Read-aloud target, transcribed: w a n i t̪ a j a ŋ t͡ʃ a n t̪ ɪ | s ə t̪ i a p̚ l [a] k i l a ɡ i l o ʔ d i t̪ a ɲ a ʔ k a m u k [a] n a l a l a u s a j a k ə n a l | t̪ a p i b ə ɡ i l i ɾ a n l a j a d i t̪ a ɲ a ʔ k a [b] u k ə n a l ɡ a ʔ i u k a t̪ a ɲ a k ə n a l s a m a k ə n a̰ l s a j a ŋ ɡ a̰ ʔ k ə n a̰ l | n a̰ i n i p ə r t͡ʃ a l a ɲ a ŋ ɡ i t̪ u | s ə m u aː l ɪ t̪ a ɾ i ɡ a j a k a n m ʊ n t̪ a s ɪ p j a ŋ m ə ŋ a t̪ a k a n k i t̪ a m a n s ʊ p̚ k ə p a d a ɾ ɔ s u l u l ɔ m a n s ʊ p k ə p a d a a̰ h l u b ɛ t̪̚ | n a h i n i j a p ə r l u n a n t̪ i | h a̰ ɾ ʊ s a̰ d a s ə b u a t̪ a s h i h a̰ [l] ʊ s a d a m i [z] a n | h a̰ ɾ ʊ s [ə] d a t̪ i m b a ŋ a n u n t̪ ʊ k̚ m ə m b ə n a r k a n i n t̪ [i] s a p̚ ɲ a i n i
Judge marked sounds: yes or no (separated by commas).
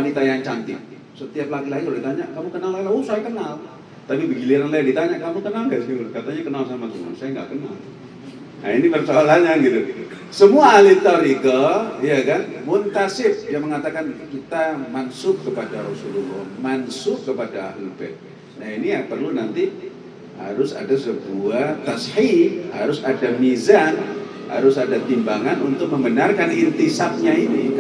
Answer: yes, no, no, no, yes, no, yes